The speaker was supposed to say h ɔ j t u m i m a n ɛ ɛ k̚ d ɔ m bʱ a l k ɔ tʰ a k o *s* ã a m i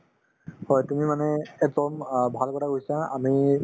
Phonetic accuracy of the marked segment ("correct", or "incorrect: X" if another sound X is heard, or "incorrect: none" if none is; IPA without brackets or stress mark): correct